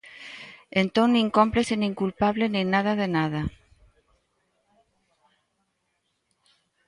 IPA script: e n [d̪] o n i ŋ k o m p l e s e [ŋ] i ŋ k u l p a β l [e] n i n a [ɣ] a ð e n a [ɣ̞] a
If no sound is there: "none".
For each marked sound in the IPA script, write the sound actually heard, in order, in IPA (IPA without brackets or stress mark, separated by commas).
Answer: t̪, n, e, ð, ð̞